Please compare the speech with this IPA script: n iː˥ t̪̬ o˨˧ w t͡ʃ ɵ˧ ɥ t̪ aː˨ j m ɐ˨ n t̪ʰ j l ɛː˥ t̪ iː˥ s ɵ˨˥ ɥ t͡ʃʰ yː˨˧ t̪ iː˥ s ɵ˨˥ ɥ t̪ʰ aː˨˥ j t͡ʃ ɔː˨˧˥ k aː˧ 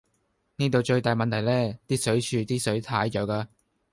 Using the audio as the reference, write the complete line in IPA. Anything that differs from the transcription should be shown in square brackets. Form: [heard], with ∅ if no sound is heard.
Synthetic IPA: n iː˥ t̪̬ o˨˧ w t͡ʃ ɵ˧ ɥ t̪ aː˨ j m ɐ˨ n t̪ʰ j l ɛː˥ t̪ iː˥ s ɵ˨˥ ɥ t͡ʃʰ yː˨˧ t̪ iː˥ s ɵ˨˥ ɥ t̪ʰ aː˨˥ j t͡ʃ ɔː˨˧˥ k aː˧